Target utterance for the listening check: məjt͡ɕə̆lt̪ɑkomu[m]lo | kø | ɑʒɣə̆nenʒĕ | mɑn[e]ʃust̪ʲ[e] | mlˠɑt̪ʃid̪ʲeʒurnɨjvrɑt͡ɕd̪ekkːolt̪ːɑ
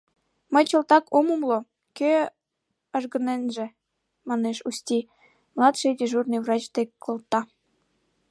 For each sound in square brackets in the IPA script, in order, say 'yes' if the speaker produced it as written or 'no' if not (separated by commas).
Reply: yes, yes, no